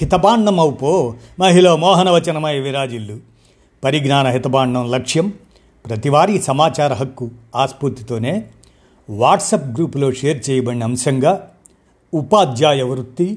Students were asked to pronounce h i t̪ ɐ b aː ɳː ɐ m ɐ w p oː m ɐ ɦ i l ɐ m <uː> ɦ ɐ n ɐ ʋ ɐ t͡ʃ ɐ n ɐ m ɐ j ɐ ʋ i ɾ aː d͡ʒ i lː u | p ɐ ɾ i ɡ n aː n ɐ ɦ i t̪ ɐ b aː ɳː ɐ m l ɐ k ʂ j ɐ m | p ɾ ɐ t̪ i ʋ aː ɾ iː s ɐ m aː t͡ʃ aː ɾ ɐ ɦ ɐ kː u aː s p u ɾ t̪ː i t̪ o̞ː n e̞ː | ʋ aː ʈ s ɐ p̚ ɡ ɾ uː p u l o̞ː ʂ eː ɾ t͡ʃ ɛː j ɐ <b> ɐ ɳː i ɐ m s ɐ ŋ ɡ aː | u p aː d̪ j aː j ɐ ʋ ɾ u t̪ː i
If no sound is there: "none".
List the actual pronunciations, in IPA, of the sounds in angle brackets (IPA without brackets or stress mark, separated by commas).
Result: ɔː, b